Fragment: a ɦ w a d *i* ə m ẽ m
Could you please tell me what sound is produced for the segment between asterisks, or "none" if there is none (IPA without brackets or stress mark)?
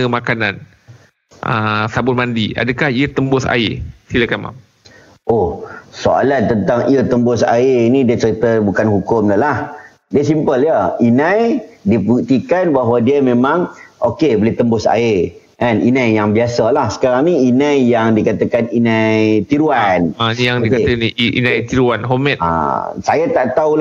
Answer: i